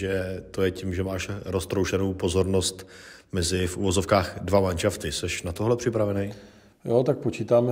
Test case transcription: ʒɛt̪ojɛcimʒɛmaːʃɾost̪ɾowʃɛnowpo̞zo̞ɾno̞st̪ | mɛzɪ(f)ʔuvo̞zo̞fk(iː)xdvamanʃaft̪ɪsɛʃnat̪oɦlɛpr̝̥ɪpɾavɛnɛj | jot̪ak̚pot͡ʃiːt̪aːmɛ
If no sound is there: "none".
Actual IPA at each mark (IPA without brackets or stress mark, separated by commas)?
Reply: f, aː